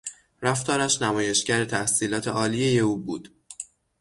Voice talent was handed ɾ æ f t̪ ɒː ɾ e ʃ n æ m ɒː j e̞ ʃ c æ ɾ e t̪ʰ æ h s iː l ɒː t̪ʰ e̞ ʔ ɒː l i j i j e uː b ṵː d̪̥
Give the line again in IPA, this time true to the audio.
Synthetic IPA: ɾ æ f t̪ ɒː ɾ æ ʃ n æ m ɒː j e̞ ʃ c æ ɾ e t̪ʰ æ h s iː l ɒː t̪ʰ e̞ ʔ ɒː l i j e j e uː b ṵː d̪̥